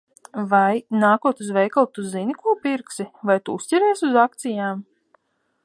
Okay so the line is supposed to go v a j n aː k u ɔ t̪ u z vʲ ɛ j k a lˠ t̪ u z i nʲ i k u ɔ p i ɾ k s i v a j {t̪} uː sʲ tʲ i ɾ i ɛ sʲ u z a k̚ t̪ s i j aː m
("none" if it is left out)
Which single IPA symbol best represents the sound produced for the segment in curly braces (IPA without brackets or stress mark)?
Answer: t̪